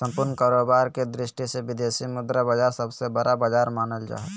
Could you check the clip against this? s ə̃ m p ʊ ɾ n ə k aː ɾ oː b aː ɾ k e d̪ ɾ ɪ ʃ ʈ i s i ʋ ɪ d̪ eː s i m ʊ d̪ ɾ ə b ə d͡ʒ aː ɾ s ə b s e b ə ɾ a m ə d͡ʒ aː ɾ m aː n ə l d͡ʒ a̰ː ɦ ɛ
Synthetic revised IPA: s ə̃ m p ʊ ɾ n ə k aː ɾ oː b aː ɾ k e d̪ ɾ ɪ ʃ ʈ i s e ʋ ɪ d̪ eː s i m ʊ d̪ ɾ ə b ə d͡ʒ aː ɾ s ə b s e b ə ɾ a b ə d͡ʒ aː ɾ m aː n ə l d͡ʒ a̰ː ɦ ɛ